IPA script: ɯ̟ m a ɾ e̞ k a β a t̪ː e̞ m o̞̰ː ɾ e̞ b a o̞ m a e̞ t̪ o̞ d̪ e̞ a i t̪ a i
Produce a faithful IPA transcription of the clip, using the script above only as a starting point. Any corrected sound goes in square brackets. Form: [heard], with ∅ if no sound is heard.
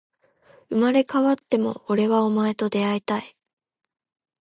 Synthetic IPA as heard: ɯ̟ m a ɾ e̞ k a β a t̪ː e̞ m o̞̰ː ɾ e̞ [β] a o̞ m a e̞ t̪ o̞ d̪ e̞ a i t̪ a i